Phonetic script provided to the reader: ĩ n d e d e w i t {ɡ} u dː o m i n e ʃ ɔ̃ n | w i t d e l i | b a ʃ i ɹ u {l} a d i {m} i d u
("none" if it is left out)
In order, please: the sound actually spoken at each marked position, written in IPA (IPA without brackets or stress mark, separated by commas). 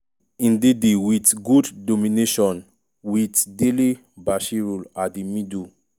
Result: ɡ, l, m